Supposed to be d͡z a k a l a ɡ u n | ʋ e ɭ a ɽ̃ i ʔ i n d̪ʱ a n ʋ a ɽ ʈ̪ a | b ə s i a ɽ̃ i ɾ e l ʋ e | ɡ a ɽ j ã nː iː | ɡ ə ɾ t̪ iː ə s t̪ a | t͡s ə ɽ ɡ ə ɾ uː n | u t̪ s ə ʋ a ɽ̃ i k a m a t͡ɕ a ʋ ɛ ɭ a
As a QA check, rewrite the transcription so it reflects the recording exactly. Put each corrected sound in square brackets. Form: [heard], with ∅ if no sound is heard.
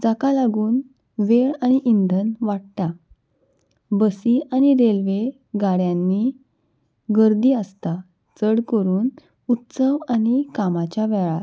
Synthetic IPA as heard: d͡z a k a l a ɡ [uː] n | ʋ e ɭ a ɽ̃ i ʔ i n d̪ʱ [ə] n ʋ a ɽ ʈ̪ a | b ə s i a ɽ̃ i ɾ e l ʋ e | ɡ a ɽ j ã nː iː | ɡ ə ɾ [d̪] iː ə s t̪ a | t͡s ə ɽ [k] ə ɾ uː n | u t̪ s ə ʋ a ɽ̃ i k a m a t͡ɕ a ʋ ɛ ɭ a